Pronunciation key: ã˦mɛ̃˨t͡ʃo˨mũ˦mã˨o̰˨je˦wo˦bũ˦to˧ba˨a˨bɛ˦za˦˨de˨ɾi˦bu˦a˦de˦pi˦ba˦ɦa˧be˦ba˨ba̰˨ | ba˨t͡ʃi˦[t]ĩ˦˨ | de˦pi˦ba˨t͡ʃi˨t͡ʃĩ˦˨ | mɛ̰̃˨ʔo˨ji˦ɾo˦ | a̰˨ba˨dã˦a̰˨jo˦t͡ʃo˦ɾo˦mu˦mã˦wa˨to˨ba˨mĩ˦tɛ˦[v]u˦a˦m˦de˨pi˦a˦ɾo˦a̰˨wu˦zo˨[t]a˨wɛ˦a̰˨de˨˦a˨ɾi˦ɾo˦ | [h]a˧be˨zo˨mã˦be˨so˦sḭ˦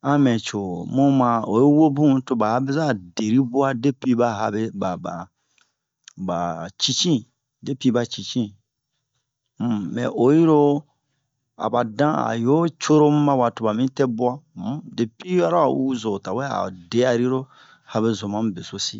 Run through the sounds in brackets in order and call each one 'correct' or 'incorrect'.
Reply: incorrect, incorrect, correct, correct

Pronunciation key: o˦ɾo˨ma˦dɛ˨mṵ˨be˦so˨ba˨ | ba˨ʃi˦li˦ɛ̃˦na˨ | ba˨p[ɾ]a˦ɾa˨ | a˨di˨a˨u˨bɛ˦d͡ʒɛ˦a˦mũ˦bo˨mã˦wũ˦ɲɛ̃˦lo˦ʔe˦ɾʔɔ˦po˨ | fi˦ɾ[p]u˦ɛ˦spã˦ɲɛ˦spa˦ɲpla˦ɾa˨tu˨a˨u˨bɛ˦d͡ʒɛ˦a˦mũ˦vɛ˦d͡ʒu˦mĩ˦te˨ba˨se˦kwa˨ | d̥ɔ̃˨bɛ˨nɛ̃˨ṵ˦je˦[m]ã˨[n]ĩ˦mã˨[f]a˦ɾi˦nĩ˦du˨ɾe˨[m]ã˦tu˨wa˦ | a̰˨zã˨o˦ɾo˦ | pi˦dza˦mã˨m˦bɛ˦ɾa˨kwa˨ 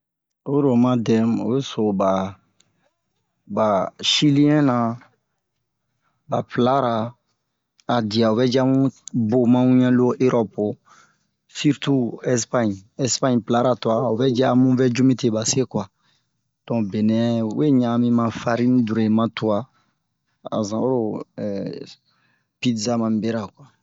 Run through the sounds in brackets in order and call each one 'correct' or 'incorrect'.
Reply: incorrect, incorrect, incorrect, incorrect, correct, correct

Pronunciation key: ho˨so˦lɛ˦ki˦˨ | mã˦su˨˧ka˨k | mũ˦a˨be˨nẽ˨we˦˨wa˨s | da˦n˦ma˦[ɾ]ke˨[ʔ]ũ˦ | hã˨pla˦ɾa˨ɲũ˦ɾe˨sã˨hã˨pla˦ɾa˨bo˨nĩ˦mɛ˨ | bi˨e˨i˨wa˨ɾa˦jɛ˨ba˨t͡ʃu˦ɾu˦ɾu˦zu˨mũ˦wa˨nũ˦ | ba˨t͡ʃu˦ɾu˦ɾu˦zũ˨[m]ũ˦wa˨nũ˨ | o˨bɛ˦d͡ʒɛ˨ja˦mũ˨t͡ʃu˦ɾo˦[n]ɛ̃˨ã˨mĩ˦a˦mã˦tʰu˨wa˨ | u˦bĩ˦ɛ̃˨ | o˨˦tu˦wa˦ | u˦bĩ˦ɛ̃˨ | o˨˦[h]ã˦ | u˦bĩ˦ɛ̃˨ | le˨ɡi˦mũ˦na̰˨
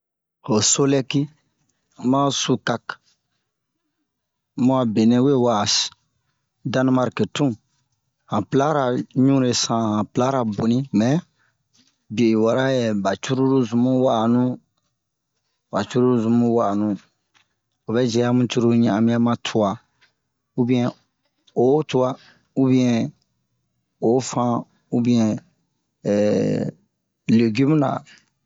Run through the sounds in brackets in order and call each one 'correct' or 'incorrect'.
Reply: correct, incorrect, correct, incorrect, incorrect

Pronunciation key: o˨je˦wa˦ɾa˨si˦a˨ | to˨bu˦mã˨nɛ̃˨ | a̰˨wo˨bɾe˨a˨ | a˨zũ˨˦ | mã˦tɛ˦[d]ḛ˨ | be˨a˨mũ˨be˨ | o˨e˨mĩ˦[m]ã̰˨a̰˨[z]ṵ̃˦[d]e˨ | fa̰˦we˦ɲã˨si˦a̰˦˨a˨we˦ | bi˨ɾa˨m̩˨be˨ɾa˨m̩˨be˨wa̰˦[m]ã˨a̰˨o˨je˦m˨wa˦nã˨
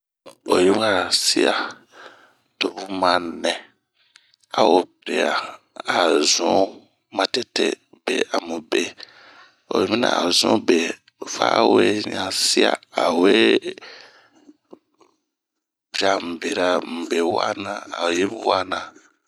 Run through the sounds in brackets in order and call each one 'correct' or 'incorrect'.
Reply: incorrect, incorrect, correct, incorrect, incorrect

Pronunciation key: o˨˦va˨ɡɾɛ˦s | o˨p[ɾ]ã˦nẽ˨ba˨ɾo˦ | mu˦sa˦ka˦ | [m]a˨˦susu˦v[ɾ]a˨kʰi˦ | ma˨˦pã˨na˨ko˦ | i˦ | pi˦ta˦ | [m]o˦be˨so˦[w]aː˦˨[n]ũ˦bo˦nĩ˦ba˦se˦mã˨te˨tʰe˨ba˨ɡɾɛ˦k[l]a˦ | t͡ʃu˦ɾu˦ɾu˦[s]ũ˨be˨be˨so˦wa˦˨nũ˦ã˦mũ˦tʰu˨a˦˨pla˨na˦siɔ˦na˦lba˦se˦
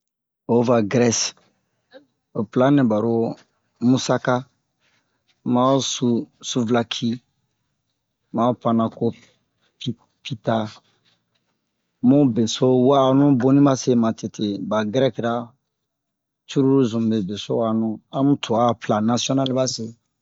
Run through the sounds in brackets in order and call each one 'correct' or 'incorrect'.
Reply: incorrect, correct, incorrect, correct, correct, correct, incorrect, incorrect

